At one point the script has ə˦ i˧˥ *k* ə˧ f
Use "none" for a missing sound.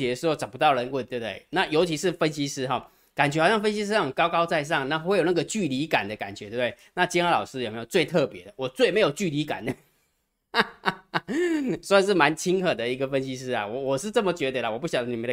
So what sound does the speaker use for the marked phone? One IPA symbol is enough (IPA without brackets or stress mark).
ɡ